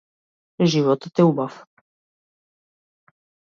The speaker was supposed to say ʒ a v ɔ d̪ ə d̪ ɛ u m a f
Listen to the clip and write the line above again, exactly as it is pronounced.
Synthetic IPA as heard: ʒ i v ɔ t̪ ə t̪ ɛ u b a f

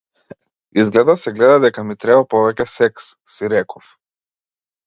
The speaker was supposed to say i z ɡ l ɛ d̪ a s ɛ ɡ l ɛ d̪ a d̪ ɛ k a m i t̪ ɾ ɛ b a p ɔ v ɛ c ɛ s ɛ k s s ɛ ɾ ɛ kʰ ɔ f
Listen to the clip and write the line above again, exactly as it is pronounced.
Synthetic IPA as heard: i z ɡ l ɛ d̪ a s ɛ ɡ l ɛ d̪ a d̪ ɛ k a m i t̪ ɾ ɛ b a p ɔ v ɛ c ɛ s ɛ k s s i ɾ ɛ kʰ ɔ f

